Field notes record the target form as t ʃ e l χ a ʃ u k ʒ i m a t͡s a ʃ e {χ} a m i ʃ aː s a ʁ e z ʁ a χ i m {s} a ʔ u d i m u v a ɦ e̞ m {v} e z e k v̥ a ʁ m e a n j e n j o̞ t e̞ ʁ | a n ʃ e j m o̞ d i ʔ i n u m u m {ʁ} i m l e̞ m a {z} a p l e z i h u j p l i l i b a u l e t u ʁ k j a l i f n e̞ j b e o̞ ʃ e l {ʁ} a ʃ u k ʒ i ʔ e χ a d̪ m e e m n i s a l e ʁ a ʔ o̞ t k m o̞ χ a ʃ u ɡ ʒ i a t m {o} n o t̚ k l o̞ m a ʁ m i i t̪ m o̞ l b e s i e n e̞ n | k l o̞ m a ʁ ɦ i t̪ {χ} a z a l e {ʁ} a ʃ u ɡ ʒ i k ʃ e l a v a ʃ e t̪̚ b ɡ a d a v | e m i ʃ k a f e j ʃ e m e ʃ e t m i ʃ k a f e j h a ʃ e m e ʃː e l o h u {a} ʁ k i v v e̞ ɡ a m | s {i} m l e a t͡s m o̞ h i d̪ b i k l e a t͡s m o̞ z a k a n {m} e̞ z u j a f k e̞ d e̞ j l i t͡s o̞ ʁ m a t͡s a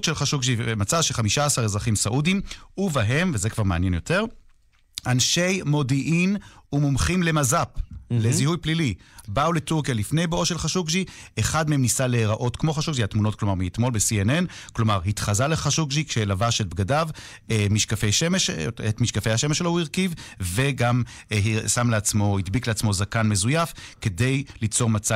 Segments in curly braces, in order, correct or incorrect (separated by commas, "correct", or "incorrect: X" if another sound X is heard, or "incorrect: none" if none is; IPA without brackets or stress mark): correct, correct, correct, incorrect: χ, correct, incorrect: χ, incorrect: u, correct, incorrect: χ, incorrect: i, incorrect: a, correct